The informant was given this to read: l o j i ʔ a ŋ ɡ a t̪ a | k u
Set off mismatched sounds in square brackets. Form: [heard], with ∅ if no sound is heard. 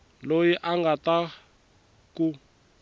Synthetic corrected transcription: l o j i ʔ a ŋ ɡ a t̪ a | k u